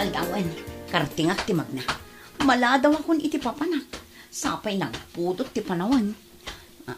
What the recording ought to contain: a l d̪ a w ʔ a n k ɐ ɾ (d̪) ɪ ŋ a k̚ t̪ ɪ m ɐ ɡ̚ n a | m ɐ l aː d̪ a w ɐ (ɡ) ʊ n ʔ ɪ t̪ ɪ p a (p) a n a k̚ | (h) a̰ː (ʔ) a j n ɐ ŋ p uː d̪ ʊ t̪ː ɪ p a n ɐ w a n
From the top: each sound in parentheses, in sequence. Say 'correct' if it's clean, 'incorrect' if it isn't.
incorrect, incorrect, correct, incorrect, incorrect

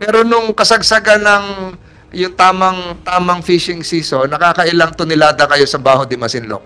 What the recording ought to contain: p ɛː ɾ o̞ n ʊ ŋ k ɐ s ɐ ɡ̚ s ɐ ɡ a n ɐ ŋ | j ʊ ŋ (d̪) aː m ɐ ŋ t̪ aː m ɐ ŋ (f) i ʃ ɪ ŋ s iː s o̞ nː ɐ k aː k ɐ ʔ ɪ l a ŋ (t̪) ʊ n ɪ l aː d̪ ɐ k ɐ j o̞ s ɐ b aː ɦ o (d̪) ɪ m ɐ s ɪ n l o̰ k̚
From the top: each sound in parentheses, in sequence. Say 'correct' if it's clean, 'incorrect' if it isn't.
incorrect, correct, correct, correct

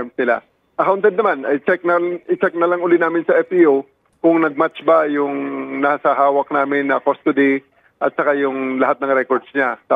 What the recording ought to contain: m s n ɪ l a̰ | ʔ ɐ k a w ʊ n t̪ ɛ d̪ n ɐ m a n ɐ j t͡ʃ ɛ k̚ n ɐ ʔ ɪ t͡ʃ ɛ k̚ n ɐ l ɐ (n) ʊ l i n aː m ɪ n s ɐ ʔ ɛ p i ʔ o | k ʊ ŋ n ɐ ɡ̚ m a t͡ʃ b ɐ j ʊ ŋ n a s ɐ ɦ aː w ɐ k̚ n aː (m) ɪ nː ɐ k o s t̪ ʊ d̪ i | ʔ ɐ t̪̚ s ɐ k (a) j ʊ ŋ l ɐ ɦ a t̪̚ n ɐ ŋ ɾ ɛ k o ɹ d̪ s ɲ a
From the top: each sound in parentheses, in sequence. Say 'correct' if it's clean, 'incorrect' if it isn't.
incorrect, correct, correct

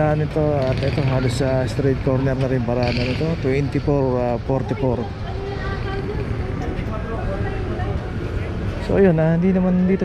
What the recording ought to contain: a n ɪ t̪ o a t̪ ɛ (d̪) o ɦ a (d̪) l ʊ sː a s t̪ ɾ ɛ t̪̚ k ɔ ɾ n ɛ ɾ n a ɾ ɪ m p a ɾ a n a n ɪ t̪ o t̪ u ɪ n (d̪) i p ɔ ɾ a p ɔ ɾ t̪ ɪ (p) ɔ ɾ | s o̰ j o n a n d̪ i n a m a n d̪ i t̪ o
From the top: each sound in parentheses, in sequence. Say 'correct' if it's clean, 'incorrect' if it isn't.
incorrect, incorrect, incorrect, correct

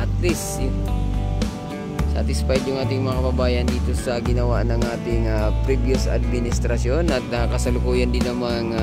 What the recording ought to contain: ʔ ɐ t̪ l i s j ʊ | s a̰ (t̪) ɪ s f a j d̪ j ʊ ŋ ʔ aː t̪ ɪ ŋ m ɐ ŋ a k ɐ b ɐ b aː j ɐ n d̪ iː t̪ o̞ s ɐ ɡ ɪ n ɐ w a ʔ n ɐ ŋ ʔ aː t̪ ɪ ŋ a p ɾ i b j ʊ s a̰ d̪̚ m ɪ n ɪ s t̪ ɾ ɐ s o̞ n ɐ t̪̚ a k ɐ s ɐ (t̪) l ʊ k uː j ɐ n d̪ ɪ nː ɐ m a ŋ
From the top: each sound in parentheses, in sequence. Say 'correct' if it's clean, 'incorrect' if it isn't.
correct, incorrect

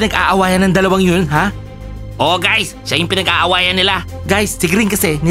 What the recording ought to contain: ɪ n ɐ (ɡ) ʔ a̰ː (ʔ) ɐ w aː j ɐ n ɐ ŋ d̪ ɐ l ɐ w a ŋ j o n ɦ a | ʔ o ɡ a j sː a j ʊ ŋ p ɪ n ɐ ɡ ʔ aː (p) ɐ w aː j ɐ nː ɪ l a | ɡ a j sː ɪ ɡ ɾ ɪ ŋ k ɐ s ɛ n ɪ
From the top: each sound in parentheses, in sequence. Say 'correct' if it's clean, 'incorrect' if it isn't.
correct, correct, incorrect

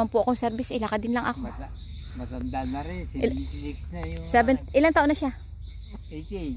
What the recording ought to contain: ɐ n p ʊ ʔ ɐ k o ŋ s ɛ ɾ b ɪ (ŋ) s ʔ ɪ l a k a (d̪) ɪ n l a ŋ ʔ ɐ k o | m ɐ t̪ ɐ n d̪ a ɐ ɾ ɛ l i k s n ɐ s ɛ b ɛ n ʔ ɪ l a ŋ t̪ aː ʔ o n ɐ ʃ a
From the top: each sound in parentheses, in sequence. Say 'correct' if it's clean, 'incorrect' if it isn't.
incorrect, correct

